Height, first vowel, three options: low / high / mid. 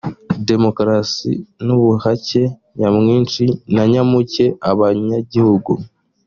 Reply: mid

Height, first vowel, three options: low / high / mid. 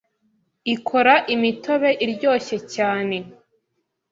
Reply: high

